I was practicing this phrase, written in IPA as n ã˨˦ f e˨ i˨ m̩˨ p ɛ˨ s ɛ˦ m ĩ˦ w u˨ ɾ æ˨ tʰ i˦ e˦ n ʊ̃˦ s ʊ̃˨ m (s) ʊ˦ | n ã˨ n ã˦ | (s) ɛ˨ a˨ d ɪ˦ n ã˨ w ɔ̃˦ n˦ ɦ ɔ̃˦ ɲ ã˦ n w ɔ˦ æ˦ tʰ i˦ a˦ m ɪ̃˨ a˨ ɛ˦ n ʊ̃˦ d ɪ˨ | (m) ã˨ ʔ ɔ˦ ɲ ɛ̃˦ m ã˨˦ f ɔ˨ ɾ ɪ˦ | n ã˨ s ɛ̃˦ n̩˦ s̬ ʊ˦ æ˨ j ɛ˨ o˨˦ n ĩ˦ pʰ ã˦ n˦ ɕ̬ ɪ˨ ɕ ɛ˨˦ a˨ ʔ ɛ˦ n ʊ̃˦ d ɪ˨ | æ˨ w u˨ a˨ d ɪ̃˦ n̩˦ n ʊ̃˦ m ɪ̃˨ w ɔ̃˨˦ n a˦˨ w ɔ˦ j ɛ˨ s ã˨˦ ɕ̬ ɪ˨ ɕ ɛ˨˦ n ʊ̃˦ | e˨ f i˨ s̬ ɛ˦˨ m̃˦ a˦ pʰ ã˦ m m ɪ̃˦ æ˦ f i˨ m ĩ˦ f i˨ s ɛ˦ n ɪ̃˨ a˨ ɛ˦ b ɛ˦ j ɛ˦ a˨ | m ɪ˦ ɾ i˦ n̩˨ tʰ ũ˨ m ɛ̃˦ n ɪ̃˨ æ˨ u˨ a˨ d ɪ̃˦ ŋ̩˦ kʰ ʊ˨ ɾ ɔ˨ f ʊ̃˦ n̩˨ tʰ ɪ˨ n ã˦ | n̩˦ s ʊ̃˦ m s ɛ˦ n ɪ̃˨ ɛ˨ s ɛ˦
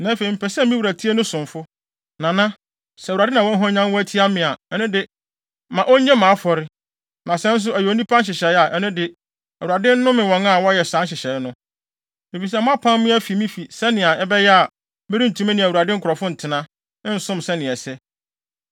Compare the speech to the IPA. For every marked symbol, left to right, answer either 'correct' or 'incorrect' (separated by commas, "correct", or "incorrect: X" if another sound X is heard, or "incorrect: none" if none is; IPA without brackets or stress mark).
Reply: incorrect: f, correct, correct